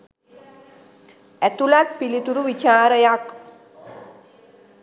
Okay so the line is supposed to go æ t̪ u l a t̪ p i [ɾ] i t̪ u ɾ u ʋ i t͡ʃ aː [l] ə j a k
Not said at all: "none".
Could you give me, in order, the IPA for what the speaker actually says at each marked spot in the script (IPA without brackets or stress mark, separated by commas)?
l, ɾ